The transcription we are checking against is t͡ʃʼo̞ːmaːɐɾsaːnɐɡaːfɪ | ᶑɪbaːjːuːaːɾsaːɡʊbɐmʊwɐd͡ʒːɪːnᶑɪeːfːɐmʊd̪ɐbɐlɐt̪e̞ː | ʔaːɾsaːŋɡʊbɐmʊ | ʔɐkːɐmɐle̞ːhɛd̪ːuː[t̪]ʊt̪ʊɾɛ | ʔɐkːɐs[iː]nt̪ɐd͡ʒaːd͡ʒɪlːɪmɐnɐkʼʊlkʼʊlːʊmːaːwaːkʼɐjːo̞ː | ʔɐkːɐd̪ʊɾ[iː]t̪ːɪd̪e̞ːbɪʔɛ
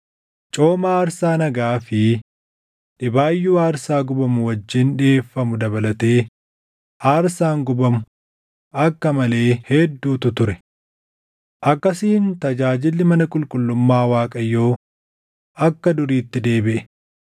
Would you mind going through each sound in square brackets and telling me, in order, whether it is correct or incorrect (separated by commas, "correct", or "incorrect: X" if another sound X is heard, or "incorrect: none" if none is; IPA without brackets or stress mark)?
correct, correct, correct